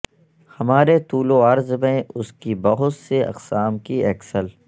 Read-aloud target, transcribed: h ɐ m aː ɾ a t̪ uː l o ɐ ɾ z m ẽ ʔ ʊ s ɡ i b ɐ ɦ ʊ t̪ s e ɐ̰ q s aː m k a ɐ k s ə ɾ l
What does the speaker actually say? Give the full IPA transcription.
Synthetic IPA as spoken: h ɐ m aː ɾ e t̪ uː l o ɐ ɾ z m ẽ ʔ ʊ s k i b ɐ ɦ ʊ t̪ s e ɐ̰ q s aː m k i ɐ k s ə l